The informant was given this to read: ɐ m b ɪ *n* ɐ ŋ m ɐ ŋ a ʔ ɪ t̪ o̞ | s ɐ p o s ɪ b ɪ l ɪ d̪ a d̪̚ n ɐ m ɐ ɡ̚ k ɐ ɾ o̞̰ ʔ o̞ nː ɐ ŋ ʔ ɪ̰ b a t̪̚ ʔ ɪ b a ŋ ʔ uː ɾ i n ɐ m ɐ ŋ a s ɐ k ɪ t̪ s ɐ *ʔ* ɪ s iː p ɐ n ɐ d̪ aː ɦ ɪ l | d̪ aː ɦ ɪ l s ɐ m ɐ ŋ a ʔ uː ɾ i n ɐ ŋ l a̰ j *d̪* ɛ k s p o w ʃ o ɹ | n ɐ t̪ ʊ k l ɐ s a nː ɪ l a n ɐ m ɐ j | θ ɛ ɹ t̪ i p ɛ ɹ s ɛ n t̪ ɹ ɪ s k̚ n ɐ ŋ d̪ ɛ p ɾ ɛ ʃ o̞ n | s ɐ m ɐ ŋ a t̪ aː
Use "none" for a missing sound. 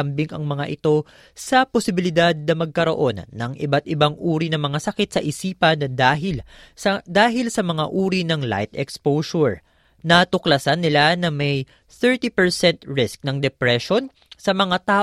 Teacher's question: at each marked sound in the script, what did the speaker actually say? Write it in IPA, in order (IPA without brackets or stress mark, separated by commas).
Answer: ŋ, ʔ, t̪